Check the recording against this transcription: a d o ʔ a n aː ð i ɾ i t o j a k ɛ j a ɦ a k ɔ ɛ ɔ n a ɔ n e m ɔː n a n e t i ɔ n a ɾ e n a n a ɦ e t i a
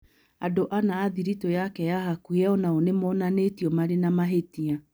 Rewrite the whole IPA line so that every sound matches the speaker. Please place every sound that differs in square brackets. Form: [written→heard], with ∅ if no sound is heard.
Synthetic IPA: a d o ʔ a n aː ð i ɾ i t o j a k ɛ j a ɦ a k [ɔ→u] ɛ ɔ n a [ɔ→o] n e m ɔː n a n e t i ɔ [n→m] a ɾ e n a [n→m] a ɦ e t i a